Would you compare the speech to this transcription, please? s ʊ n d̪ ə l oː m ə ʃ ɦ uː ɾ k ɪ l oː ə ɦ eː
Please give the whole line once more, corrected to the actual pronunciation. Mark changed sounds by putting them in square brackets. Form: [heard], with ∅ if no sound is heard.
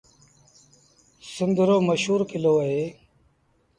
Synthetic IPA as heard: s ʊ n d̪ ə [ɾ] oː m ə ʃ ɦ uː ɾ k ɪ l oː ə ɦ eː